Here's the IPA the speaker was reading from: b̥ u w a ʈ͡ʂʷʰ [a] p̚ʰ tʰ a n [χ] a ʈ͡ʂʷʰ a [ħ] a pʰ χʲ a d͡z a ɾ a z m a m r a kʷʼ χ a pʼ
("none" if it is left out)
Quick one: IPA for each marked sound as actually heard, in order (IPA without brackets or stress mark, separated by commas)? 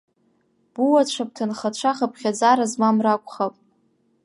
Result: a, χ, χ